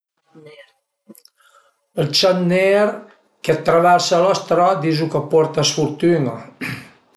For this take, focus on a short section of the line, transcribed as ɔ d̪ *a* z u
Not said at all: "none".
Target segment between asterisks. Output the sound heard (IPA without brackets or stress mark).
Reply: i